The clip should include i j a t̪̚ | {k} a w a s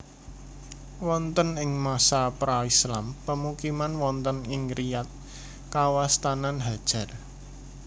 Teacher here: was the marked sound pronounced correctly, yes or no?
yes